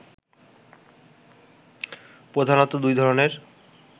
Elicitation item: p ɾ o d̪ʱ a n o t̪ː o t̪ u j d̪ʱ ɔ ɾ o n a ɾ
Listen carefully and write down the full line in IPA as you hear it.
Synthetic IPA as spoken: p ɾ o d̪ʱ a n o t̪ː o d̪ u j d̪ʱ ɔ ɾ o n e ɾ